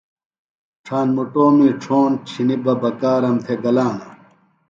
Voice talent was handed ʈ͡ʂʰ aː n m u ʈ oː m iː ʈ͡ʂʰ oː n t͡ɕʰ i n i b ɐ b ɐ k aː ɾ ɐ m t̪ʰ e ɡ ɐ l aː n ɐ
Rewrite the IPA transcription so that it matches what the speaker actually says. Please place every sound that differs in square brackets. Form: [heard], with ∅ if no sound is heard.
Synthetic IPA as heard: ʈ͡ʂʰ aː n m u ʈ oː m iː ʈ͡ʂʰ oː n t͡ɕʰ i n i b ɐ b ɐ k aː ɾ ɐ m t̪ʰ e ɡ ɐ l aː n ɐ